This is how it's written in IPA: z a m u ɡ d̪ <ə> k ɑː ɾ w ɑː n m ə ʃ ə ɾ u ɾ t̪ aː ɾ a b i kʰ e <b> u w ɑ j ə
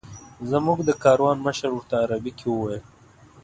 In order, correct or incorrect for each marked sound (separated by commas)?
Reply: correct, incorrect